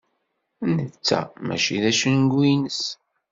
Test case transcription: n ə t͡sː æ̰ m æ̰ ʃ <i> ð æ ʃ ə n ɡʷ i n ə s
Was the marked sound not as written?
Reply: no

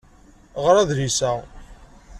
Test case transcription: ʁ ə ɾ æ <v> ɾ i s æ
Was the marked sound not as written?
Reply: yes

